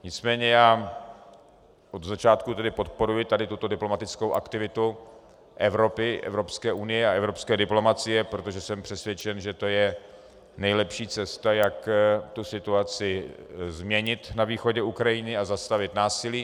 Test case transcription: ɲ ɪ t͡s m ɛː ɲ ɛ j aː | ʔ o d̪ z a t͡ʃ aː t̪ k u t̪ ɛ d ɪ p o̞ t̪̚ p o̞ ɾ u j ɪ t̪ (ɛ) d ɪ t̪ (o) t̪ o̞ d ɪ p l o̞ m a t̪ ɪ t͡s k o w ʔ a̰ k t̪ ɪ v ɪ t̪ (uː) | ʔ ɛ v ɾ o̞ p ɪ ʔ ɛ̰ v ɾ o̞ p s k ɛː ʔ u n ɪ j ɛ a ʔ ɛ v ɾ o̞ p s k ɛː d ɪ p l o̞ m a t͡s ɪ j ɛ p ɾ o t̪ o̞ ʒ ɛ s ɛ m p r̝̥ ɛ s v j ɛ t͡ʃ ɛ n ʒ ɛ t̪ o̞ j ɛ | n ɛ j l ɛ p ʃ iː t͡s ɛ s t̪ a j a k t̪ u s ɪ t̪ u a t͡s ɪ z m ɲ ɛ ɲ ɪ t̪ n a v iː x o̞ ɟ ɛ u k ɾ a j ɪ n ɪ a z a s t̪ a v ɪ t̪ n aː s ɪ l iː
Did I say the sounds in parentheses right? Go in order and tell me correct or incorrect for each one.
incorrect: a, incorrect: u, incorrect: u

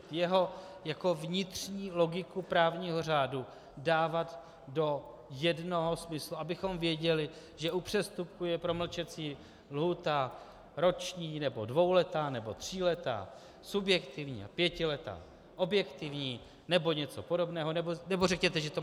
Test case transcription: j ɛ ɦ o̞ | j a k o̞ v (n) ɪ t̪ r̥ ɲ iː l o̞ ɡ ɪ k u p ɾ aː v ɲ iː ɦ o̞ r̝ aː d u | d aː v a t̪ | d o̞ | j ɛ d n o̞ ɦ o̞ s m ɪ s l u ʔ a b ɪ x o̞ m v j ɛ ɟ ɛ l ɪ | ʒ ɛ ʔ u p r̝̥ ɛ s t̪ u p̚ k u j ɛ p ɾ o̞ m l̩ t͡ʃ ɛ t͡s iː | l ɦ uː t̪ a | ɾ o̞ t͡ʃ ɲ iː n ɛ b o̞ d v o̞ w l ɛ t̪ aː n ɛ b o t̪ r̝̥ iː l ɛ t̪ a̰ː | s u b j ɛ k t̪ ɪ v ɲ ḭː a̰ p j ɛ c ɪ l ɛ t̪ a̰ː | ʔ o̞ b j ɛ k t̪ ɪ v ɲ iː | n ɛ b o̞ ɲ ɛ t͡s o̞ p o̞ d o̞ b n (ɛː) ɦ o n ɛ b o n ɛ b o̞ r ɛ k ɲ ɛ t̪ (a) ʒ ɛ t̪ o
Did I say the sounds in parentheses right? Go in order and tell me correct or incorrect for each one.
incorrect: ɲ, correct, incorrect: ɛ

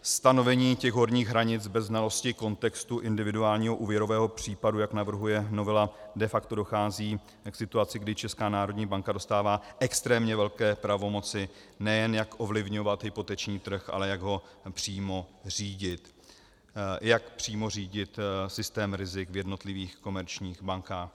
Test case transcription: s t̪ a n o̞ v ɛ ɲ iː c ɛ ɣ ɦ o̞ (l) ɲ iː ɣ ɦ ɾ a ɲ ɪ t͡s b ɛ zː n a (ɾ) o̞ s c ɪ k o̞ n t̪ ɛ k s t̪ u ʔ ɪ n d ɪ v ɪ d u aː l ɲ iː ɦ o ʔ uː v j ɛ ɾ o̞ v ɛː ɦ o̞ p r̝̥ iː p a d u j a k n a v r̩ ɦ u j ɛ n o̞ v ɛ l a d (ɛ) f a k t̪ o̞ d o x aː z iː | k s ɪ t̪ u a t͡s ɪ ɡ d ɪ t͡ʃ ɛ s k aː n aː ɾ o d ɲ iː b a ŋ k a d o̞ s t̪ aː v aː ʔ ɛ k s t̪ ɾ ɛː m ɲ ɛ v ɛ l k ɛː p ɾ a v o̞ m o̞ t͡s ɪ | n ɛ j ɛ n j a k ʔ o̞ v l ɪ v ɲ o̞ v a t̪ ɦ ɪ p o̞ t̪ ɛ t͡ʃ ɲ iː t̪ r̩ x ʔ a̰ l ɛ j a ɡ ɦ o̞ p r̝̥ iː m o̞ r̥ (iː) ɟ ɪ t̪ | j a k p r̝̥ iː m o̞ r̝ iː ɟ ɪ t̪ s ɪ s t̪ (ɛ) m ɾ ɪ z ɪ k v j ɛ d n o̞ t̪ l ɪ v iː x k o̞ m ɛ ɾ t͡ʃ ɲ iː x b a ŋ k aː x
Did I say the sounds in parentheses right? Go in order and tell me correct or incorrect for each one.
incorrect: ɾ, incorrect: l, correct, correct, incorrect: ɛː

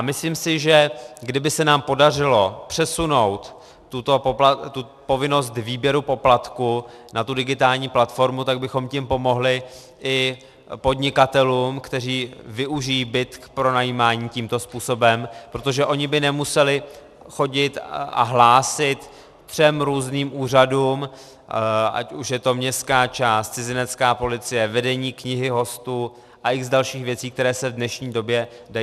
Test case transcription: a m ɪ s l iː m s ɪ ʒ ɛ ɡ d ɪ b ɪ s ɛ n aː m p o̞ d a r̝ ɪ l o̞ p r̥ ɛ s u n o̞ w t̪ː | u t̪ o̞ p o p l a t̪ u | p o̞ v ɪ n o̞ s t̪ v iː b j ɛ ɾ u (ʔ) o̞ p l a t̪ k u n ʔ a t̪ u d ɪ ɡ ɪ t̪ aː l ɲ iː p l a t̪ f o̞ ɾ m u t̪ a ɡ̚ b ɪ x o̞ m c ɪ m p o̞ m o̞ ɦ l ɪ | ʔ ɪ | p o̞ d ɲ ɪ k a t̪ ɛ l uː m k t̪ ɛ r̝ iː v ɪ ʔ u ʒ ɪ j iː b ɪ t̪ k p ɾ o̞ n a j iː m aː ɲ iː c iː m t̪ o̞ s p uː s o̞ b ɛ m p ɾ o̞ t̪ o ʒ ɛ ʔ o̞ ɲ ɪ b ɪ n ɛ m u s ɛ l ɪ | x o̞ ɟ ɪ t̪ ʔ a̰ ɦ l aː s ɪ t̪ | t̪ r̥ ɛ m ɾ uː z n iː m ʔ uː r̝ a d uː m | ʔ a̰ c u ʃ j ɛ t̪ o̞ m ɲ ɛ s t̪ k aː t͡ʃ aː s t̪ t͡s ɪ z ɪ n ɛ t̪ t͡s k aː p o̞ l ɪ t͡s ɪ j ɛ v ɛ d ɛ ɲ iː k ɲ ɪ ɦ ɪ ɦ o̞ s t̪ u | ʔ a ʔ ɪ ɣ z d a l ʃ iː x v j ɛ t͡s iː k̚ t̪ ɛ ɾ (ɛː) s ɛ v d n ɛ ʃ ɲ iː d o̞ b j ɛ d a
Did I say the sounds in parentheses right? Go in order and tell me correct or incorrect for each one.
incorrect: p, correct

